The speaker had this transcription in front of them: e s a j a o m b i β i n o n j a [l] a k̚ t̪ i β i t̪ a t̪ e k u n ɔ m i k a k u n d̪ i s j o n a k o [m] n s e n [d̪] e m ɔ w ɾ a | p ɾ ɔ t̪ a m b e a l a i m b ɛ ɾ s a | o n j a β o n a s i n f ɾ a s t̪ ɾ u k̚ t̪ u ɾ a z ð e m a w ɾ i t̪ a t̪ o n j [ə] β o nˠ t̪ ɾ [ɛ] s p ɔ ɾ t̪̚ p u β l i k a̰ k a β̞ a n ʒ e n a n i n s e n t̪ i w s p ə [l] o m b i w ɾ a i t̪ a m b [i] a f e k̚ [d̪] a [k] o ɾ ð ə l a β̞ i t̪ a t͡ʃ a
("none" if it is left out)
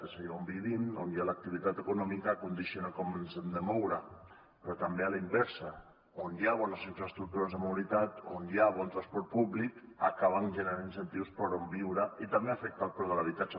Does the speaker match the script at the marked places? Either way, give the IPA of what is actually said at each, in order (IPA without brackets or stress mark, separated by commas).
l, m, d̪, a, a, ɾ, e, t̪, p